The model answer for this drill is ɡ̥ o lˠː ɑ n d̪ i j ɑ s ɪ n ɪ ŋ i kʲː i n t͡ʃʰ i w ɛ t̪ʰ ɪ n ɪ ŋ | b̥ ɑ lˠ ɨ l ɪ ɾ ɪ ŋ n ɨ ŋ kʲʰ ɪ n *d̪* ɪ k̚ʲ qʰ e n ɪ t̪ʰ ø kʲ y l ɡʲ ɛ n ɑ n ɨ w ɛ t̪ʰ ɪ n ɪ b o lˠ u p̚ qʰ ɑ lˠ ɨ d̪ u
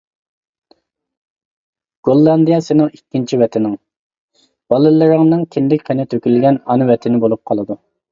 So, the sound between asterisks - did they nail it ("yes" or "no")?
yes